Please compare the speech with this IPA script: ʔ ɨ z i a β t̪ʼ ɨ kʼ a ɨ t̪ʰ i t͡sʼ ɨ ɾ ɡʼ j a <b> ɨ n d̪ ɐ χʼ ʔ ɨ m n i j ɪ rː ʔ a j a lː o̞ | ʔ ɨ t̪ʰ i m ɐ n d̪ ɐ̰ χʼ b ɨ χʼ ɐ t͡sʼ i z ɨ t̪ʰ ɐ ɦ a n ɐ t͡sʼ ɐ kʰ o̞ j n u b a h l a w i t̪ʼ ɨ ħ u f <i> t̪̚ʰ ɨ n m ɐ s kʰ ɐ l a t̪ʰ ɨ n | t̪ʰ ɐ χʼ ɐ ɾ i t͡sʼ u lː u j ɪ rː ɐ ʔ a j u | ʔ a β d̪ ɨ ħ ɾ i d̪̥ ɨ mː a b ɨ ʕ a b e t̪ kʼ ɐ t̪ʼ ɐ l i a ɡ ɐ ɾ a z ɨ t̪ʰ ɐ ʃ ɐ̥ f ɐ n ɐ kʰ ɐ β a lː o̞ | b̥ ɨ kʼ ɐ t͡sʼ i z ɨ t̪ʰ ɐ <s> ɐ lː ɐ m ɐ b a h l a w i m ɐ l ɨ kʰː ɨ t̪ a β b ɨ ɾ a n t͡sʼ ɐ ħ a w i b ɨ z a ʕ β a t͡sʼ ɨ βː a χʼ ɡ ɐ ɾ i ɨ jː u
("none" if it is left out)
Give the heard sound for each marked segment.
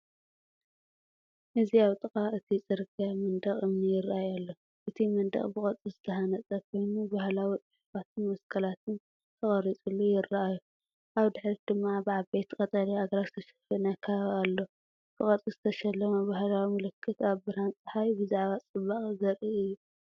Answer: m, a, ʃ

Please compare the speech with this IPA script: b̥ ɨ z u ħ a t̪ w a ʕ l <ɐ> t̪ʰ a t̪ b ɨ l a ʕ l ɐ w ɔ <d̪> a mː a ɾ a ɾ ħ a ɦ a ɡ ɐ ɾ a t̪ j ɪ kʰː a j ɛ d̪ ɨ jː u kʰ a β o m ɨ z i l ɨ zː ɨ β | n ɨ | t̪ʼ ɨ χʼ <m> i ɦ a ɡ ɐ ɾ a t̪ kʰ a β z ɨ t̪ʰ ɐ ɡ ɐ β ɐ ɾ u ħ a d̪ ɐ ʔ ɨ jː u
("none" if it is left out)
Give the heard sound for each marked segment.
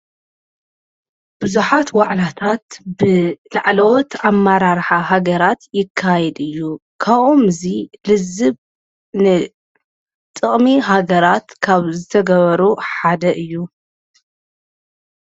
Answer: a, t̪, m

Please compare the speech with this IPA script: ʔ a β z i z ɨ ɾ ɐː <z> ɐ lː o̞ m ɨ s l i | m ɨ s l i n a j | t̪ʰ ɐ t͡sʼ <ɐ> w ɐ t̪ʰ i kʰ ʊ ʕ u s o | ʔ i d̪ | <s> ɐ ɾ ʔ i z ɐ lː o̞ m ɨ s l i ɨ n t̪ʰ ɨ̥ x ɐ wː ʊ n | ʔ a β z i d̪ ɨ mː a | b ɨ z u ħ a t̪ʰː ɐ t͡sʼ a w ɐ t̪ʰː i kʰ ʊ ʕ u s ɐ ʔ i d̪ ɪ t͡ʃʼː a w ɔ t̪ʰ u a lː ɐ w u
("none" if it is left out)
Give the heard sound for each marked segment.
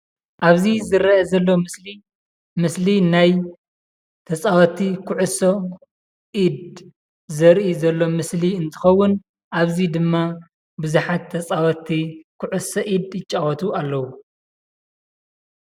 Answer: z, a, z

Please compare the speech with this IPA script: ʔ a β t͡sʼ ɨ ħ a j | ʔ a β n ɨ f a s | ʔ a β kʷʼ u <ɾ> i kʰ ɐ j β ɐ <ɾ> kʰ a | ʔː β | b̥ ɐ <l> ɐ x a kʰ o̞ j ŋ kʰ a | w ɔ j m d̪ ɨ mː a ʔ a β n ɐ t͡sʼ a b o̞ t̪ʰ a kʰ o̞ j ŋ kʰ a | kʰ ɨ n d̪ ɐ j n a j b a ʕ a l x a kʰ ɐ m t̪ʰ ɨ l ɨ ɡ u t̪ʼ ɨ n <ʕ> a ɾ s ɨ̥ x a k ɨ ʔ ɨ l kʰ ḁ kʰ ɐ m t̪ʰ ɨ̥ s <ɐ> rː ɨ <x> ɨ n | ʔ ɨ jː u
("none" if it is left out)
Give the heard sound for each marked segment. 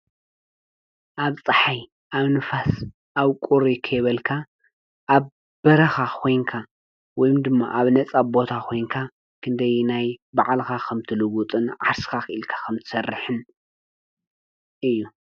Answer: ɾ, l, ɾ, ʕ, ɐ, ħ

